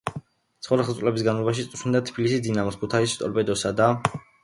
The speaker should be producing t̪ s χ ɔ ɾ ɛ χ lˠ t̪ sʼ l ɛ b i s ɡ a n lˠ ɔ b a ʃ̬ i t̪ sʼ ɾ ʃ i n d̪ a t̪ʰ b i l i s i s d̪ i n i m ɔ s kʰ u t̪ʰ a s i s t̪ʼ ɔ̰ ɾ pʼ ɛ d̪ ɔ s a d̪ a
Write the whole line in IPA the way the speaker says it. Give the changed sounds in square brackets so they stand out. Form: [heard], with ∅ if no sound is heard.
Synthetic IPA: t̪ s χ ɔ ɾ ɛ χ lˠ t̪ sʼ l ɛ b i s ɡ a n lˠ ɔ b a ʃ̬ i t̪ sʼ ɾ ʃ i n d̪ a t̪ʰ b i l i s i s d̪ i n [a] m ɔ s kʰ u t̪ʰ a [∅] i s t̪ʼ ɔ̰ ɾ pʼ ɛ d̪ ɔ s a d̪ a